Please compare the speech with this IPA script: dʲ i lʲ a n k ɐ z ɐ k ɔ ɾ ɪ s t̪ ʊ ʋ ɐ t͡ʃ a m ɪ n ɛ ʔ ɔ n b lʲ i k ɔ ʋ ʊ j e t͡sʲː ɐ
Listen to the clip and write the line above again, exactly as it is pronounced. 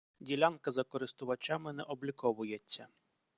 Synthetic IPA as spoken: dʲ i lʲ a n k ɐ z ɐ k ɔ ɾ ɪ s t̪ ʊ ʋ ɐ t͡ʃ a m ɪ n ɛ ʔ ɔ b lʲ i k ɔ ʋ ʊ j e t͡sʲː ɐ